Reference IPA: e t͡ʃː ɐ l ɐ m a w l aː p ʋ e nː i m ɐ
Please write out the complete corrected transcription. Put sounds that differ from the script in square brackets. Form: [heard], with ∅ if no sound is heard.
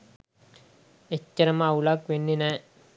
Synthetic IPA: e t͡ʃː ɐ [ɾ] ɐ m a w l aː [k] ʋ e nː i [n] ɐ